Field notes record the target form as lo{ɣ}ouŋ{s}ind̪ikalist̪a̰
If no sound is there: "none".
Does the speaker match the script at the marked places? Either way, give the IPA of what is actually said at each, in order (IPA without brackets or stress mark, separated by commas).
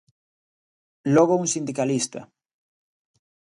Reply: ɣ, s